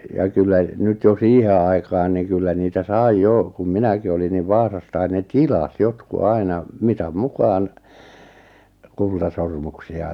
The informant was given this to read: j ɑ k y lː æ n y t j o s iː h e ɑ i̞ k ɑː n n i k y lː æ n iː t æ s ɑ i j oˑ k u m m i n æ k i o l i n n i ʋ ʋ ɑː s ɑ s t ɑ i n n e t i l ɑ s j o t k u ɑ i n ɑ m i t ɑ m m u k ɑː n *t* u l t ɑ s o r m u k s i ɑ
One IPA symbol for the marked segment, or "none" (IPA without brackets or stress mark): k